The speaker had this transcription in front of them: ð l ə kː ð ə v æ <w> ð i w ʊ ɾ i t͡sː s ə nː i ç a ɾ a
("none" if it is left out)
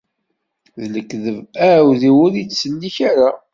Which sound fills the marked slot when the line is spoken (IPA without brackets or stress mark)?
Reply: w